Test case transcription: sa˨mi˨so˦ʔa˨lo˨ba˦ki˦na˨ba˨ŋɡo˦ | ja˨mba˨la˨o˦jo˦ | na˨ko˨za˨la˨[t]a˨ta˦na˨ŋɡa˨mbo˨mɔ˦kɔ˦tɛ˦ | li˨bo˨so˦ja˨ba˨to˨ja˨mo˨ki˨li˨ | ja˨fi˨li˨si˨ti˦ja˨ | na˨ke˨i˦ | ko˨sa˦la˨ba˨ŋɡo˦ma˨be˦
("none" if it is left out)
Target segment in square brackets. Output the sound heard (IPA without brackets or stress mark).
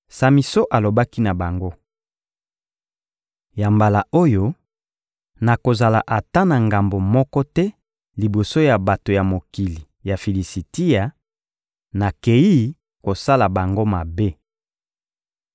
ʔ